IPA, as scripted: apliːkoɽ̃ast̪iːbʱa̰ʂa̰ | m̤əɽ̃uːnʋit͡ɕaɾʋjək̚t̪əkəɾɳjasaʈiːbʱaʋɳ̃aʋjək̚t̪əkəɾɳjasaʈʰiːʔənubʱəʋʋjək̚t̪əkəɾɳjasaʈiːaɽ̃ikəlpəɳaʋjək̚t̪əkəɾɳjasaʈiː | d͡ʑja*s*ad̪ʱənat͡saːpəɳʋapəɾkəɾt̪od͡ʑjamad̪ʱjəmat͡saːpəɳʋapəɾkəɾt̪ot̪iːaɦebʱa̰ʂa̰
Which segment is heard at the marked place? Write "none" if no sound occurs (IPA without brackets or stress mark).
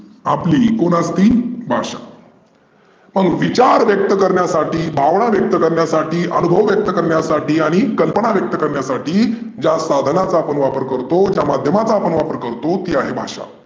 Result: s